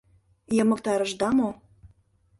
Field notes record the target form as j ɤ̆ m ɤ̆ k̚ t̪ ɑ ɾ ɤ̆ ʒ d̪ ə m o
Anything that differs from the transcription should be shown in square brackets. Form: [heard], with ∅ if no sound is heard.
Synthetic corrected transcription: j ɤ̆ m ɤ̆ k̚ t̪ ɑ ɾ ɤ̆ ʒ d̪ [ɑ] m o